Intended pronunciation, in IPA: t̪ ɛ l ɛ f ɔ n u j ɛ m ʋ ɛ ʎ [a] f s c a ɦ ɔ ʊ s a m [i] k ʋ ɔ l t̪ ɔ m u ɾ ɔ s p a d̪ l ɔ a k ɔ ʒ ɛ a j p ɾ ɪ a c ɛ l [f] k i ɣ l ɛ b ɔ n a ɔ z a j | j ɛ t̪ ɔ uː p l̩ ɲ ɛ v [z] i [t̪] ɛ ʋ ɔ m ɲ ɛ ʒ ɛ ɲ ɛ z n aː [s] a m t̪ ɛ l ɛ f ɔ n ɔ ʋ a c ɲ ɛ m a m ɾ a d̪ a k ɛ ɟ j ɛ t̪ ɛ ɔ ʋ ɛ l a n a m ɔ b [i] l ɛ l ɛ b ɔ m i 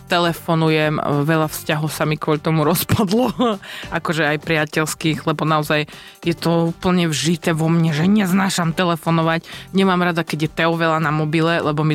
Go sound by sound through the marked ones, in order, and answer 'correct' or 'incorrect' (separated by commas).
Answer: correct, correct, incorrect, incorrect, correct, incorrect, correct